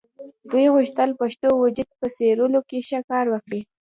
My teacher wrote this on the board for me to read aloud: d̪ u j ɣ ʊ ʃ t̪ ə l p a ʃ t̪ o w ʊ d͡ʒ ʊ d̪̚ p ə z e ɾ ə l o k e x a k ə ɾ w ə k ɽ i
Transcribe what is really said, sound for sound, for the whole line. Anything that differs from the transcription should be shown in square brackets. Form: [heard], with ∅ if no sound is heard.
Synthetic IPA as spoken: d̪ u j ɣ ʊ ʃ t̪ ə l p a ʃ t̪ o w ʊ d͡ʒ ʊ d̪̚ p ə [s] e ɾ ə l o k e [ʃ] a k [ɑ] ɾ w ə k ɽ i